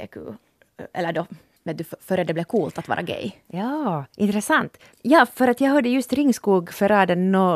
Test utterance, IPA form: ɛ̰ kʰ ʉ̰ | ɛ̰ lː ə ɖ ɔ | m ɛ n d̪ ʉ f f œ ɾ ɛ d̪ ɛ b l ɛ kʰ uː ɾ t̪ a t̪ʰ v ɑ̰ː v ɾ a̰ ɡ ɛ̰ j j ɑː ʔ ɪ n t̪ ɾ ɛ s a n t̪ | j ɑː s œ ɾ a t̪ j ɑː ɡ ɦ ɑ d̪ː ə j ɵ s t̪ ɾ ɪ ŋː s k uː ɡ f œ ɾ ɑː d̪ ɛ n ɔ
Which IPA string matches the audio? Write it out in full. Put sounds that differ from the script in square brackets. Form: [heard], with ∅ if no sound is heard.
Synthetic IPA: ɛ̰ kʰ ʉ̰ | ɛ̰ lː ə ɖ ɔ | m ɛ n d̪ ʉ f f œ ɾ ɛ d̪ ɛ b l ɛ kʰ uː [l] t̪ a [t̪] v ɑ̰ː [∅] ɾ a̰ ɡ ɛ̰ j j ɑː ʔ ɪ n t̪ ɾ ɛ s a n t̪ | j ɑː [f] œ ɾ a t̪ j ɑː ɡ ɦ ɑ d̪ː ə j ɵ s t̪ ɾ ɪ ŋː s k uː ɡ f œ ɾ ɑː d̪ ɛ n ɔ